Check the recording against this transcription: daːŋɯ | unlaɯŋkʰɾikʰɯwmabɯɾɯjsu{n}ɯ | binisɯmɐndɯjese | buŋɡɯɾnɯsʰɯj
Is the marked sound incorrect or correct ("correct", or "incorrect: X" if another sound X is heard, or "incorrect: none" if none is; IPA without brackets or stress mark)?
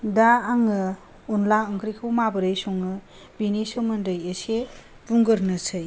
incorrect: ŋ